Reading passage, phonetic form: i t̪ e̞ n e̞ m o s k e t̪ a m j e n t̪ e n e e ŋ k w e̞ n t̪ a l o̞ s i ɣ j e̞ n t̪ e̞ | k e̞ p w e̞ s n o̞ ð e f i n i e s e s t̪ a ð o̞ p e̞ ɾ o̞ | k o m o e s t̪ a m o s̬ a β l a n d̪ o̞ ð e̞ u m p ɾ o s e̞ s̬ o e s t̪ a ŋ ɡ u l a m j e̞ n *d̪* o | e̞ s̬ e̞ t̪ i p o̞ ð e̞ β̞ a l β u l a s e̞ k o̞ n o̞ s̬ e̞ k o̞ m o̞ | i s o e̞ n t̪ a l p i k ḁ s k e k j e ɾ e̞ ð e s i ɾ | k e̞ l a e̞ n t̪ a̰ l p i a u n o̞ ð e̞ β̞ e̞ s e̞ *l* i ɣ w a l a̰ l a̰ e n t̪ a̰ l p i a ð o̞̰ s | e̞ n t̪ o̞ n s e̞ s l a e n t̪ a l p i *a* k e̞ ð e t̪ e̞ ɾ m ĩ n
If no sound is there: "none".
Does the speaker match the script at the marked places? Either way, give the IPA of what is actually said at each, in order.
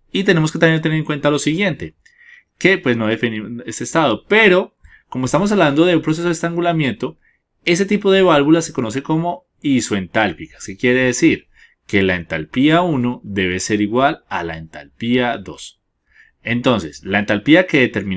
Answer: t̪, ɾ, a

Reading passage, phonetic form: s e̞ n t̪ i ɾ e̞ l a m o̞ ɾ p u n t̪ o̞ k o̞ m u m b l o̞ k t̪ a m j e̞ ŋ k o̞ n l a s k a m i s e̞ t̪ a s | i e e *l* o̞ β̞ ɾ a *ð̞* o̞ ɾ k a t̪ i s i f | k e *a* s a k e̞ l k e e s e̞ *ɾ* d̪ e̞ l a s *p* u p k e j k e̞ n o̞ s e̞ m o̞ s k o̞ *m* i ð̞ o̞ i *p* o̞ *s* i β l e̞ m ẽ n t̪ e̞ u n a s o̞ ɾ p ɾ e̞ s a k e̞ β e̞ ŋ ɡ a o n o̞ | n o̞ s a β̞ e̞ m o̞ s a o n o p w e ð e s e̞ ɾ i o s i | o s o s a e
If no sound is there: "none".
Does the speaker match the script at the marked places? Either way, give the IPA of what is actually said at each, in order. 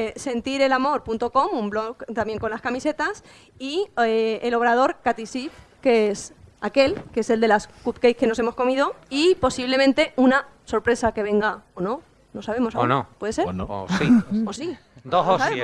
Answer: l, ð̞, e, l, k, m, p, s

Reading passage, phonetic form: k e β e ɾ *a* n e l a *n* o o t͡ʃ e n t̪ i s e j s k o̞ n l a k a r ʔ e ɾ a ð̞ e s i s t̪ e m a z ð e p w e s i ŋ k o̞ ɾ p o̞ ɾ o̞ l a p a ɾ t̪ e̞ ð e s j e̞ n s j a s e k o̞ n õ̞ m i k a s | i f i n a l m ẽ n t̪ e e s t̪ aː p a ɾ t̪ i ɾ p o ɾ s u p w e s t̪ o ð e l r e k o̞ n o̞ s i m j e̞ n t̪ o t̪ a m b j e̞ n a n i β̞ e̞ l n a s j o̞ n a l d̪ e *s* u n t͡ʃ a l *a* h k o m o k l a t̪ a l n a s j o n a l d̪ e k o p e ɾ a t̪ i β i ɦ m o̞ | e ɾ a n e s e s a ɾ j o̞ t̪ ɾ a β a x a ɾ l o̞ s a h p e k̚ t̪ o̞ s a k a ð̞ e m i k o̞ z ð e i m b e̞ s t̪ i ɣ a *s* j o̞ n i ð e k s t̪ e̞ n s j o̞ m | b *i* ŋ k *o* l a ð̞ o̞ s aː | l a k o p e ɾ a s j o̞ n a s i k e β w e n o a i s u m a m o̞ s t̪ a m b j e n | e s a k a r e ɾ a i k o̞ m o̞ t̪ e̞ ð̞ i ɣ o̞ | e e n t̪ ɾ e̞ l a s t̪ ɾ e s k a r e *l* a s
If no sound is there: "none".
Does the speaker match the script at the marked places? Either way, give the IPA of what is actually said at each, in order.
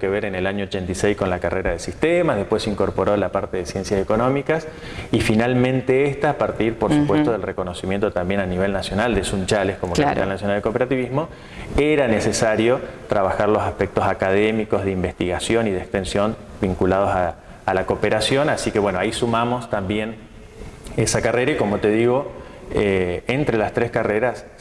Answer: e, ɲ, s, e, s, i, u, ɾ

